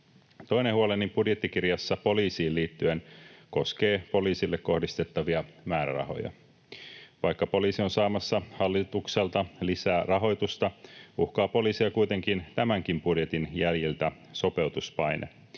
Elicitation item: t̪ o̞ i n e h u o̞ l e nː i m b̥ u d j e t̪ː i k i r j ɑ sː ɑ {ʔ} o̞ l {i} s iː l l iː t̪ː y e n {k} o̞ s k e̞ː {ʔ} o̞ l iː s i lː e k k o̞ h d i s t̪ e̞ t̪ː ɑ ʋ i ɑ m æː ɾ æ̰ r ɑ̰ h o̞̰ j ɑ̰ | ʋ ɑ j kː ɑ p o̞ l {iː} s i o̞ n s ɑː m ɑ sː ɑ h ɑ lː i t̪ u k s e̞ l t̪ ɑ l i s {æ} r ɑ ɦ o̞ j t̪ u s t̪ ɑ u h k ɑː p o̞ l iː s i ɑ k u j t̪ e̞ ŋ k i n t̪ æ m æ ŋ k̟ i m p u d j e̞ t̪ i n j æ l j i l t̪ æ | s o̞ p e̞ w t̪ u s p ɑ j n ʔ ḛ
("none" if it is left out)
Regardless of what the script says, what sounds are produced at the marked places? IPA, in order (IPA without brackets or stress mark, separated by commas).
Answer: p, iː, k, p, iː, æː